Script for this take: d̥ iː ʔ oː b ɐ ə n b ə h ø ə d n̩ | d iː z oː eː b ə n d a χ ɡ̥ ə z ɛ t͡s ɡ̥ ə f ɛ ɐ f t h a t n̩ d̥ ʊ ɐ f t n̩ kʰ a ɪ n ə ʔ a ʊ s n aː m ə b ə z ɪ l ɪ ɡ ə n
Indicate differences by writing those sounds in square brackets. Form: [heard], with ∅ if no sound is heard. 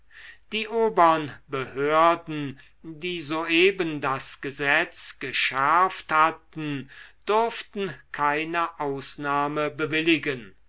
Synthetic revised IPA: d̥ iː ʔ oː b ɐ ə n b ə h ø [ɐ] d n̩ | d iː z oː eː b ə n d a [s] ɡ̥ ə z ɛ t͡s ɡ̥ ə [ʃ] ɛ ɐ f t h a t n̩ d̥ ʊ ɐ f t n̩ kʰ a ɪ n ə ʔ a ʊ s n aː m ə b ə [v] ɪ l ɪ ɡ ə n